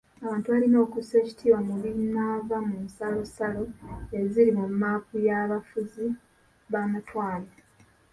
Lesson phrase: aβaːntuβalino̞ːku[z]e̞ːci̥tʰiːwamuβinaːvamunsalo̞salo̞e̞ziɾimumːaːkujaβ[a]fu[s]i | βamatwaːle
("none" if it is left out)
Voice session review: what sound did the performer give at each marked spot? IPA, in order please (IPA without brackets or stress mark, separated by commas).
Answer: s, a, z